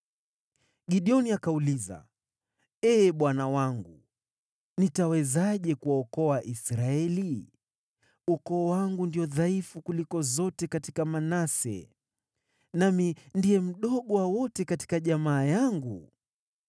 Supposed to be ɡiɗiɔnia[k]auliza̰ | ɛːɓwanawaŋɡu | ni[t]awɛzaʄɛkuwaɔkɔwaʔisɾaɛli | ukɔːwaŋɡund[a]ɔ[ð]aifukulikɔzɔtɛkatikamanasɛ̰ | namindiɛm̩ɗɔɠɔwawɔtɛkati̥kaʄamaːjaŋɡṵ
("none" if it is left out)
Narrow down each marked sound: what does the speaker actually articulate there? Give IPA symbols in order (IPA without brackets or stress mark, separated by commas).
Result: k, t, i, ð